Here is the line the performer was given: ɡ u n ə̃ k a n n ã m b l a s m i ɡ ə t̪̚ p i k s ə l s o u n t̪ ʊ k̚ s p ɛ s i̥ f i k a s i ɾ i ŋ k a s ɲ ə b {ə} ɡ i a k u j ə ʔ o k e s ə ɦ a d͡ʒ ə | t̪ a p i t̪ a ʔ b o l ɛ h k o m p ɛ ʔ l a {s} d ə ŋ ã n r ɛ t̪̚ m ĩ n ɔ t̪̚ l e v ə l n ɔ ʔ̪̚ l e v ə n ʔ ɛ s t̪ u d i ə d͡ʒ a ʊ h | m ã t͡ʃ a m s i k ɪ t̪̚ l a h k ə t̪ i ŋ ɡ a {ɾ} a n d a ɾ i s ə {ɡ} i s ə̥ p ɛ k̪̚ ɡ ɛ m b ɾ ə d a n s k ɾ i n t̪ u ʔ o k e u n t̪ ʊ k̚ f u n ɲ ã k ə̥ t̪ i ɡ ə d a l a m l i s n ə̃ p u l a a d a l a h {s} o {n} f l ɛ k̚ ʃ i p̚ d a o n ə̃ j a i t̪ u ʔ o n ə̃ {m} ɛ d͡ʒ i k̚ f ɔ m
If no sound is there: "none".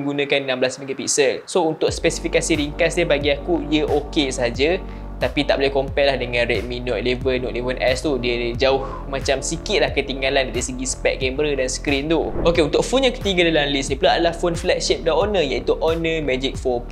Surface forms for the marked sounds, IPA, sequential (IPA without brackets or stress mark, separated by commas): a, h, l, ɡ, f, n, m